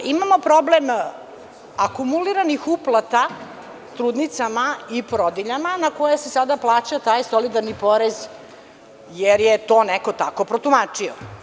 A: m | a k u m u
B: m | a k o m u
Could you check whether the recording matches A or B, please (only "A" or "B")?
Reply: A